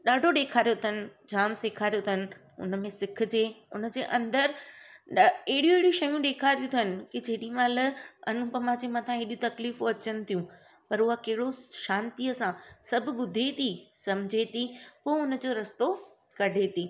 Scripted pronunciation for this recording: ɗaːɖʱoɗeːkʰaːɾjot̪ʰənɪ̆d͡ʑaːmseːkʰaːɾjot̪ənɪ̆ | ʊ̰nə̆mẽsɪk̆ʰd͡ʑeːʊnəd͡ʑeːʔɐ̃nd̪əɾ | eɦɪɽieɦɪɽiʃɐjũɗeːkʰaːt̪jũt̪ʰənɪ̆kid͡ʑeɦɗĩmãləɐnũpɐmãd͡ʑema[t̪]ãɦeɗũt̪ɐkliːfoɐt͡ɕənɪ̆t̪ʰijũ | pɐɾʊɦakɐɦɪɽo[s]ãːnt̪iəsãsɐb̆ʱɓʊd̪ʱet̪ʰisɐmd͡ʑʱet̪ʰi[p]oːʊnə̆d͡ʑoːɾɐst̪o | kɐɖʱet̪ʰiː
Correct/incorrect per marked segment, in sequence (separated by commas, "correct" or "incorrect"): incorrect, incorrect, correct